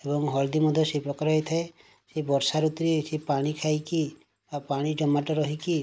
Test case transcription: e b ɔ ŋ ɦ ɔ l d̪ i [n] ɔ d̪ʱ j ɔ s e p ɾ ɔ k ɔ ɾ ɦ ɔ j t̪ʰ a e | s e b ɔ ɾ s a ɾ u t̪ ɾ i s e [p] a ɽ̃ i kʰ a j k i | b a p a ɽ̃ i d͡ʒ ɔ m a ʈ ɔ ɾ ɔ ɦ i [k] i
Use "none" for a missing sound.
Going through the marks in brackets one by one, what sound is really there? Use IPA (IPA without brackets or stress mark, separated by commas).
m, p, k